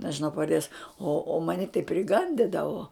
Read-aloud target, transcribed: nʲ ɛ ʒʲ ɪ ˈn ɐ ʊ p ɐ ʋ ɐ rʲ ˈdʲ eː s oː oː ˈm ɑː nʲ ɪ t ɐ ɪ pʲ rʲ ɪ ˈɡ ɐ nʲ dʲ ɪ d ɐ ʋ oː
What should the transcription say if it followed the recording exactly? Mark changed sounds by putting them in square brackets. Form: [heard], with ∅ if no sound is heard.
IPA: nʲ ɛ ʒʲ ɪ ˈn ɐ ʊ p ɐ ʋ ɐ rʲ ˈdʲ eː s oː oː ˈm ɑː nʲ ɪ t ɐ ɪ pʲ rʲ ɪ ˈɡ ɐ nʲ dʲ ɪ d ɐ ʋ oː